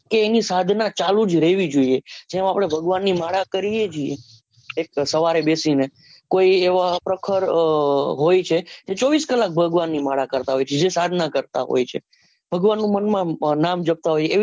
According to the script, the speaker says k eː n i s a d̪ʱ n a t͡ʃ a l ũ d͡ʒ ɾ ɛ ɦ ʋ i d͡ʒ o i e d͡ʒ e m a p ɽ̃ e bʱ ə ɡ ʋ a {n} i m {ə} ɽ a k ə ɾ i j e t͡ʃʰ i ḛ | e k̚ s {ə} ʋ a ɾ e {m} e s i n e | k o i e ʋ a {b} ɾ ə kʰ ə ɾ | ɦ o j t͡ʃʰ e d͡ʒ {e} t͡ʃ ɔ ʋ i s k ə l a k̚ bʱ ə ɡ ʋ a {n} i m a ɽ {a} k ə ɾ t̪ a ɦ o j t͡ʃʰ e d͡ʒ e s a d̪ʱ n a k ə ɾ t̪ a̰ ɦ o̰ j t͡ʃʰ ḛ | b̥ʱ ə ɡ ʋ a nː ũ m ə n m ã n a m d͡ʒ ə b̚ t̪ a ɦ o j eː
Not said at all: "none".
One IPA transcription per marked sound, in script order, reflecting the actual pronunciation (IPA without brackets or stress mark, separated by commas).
nː, a, ə, b, p, e, nː, a